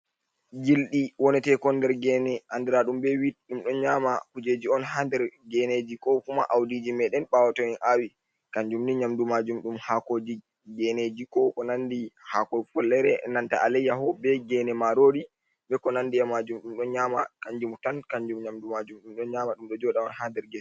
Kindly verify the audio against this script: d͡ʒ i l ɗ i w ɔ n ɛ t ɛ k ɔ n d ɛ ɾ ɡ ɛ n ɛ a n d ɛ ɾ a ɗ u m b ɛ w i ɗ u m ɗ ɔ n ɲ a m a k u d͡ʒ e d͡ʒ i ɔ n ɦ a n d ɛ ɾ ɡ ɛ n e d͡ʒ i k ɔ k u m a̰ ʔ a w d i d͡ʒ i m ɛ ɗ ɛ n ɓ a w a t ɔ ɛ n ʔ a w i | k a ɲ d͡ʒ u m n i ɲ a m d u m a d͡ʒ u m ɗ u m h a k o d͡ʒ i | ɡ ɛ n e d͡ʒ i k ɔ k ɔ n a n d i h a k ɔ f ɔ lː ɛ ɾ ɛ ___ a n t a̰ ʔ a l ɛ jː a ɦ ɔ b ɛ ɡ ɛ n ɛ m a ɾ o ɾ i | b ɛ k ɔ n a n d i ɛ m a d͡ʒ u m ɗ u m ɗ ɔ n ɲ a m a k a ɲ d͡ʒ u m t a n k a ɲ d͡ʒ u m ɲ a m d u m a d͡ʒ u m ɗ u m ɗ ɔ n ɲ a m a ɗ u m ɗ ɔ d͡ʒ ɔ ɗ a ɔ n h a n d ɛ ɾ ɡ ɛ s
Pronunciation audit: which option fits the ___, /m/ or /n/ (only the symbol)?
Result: n